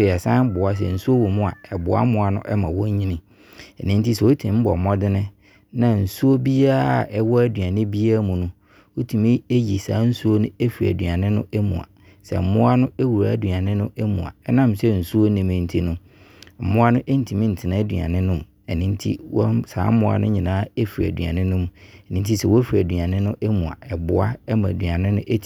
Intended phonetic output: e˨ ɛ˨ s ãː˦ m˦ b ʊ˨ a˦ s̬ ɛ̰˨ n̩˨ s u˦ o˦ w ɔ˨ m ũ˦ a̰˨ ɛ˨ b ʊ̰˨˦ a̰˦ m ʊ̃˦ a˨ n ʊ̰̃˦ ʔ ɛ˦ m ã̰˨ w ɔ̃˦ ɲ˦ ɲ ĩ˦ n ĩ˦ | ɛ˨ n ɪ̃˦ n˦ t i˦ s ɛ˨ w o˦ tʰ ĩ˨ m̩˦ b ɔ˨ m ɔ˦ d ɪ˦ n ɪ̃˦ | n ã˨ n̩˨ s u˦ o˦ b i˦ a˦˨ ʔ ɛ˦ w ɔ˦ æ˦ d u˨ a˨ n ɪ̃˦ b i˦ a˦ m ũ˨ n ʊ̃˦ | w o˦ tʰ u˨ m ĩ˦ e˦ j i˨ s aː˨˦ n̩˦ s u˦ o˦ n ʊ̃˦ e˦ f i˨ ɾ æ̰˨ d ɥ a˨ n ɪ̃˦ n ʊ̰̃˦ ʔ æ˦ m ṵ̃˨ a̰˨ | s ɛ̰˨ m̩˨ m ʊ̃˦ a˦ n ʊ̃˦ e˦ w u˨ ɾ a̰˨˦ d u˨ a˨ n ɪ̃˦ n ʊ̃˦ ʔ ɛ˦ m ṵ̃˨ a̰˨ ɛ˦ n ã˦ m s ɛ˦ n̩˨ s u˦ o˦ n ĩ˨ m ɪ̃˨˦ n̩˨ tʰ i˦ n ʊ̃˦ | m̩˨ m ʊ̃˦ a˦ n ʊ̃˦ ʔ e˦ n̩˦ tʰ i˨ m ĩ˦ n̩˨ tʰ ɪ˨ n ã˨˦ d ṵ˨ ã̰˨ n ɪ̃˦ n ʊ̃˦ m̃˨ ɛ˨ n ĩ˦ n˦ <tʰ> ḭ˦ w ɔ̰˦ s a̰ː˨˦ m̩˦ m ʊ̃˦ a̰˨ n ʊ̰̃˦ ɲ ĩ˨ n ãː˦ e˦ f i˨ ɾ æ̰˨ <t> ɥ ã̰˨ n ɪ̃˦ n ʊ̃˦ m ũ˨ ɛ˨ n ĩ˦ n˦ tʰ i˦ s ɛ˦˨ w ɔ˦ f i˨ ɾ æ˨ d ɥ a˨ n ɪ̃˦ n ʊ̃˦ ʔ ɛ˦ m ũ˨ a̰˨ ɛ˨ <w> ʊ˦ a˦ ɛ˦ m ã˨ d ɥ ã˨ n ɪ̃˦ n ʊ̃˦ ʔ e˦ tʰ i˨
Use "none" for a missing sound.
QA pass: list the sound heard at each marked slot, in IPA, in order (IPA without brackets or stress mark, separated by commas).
tʰ, d, b